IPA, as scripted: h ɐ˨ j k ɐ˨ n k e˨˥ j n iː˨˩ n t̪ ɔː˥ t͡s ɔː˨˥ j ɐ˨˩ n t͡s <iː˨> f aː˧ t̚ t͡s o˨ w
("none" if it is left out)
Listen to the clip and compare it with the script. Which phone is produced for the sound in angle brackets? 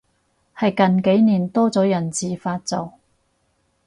iː˨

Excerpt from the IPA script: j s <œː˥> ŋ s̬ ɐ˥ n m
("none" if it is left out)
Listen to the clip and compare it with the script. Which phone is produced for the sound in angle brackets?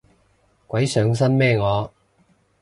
œː˨˧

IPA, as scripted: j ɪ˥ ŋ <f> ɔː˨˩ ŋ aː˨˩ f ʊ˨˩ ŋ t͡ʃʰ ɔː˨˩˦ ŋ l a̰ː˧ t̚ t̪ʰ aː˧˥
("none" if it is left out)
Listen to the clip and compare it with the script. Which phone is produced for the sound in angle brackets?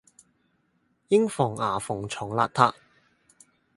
f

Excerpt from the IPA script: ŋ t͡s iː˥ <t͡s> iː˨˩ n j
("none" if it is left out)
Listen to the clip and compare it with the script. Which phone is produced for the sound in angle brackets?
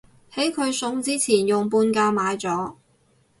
t͡sʰ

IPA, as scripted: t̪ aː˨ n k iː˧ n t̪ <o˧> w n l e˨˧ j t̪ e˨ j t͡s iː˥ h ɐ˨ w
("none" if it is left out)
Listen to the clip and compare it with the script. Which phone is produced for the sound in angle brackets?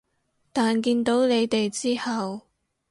o˨˥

